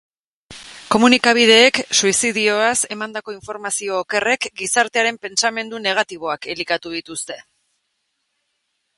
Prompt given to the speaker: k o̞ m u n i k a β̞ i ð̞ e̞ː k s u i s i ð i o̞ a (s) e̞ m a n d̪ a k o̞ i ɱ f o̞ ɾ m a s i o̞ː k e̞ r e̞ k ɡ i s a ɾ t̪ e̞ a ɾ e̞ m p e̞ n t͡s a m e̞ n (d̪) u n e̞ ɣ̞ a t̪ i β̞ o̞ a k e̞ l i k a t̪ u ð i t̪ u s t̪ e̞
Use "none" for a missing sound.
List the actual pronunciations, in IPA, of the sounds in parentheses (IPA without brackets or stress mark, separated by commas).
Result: s, d̪